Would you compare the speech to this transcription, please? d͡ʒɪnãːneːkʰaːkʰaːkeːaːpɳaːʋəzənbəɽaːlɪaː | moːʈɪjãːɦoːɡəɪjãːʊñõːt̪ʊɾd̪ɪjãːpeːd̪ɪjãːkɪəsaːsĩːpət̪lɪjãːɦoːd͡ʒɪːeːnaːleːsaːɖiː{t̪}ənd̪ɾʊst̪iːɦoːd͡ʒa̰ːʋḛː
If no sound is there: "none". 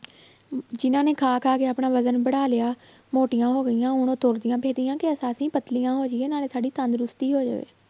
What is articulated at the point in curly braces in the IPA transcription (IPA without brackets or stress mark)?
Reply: t̪